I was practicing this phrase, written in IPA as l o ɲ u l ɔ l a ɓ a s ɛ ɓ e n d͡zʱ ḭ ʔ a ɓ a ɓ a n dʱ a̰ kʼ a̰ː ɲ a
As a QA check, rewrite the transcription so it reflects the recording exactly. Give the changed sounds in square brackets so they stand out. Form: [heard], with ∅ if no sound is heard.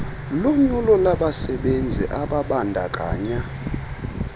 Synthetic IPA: l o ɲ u l ɔ l a ɓ a s ɛ ɓ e n d͡zʱ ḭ ʔ a ɓ a ɓ a n dʱ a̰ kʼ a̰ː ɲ a